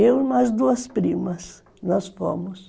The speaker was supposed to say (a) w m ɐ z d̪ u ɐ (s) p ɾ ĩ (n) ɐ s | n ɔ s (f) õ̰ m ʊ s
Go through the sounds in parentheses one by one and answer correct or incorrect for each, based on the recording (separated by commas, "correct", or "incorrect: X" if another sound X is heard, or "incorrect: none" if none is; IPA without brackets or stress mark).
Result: incorrect: e, correct, incorrect: m, correct